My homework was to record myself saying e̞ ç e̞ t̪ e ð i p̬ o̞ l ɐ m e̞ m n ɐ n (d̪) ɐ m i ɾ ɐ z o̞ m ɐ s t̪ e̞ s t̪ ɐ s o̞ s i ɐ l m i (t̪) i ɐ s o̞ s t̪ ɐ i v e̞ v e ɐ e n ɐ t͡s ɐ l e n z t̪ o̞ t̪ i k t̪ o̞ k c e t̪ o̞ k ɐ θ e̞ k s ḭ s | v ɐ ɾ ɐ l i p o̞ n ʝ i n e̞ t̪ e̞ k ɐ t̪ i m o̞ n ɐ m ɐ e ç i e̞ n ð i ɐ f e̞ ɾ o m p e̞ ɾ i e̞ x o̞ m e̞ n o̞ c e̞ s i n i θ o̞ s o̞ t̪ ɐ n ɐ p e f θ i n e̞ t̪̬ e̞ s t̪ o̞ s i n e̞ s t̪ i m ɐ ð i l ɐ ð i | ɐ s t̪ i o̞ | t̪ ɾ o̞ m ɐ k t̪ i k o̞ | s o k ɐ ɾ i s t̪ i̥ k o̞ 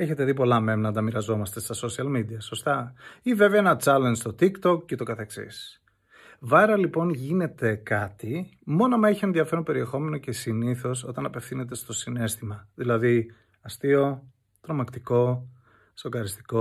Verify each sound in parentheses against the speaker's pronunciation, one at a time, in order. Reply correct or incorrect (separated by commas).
correct, incorrect